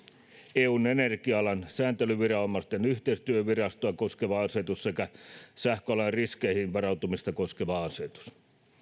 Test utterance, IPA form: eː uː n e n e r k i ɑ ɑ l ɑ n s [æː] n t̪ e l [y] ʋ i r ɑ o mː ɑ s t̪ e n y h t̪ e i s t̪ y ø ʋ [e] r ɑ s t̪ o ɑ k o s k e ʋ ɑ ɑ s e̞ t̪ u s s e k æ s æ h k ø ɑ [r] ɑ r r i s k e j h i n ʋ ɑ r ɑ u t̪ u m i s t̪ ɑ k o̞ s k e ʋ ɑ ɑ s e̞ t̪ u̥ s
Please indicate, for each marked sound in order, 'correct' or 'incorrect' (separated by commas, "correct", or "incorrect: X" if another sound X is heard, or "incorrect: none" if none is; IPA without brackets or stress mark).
correct, correct, incorrect: i, incorrect: l